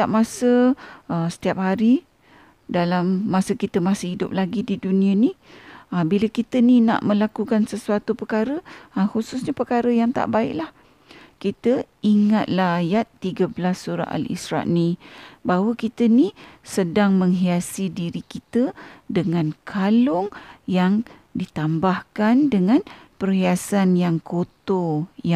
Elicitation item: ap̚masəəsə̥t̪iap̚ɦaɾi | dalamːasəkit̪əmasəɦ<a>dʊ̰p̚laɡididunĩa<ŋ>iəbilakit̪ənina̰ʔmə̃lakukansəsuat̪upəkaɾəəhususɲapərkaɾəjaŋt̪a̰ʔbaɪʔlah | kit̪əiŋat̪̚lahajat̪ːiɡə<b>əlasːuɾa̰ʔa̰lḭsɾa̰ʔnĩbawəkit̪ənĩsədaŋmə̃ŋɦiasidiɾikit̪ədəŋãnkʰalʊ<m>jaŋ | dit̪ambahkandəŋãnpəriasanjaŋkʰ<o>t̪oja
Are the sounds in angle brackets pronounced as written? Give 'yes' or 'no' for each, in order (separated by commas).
no, no, yes, no, yes